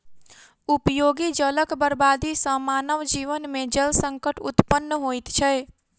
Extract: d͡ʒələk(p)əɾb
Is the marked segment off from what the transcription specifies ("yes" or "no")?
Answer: yes